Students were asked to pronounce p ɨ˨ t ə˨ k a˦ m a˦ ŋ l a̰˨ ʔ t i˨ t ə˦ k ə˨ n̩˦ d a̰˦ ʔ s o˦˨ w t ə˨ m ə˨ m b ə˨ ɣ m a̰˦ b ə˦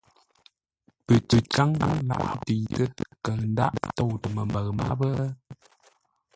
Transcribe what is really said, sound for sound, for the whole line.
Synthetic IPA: p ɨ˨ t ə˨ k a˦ ŋ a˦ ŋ l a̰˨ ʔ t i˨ t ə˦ k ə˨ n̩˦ d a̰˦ ʔ t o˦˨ w t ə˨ m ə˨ m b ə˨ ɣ m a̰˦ b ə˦